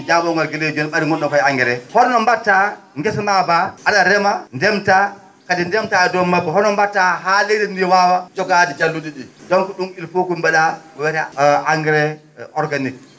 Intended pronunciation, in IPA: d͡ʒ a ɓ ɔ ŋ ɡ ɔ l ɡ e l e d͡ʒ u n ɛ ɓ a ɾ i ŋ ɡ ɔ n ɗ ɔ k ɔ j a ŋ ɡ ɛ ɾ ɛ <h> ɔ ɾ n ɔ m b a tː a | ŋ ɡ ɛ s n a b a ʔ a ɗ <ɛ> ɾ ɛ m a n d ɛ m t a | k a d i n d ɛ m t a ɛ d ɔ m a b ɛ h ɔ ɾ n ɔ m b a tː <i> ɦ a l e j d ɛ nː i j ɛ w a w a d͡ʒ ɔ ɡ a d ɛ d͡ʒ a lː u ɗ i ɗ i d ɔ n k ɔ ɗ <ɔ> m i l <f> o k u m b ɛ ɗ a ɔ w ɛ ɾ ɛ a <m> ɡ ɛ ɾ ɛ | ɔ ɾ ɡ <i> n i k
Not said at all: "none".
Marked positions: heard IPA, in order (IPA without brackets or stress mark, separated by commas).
h, a, a, u, f, ŋ, a